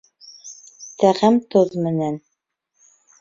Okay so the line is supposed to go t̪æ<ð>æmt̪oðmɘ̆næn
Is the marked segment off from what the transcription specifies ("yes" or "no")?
yes